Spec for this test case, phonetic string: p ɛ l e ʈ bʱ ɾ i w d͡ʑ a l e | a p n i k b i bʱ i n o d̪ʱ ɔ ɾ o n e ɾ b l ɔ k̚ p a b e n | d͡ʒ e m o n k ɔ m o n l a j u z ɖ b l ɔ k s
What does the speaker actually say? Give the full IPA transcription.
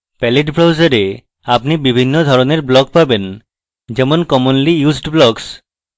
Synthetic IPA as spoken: p ɛ l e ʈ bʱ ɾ a w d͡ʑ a ɾ e | a p n i b i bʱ i nː o d̪ʱ ɔ ɾ o n e ɾ b l ɔ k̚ p a b e n | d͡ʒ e m o n k ɔ m o n l i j u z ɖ b l ɔ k s